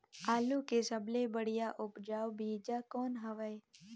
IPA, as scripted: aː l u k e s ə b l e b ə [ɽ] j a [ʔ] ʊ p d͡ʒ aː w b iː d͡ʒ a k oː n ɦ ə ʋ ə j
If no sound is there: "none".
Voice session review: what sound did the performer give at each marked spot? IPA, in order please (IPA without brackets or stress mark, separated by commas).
ɽ, ʔ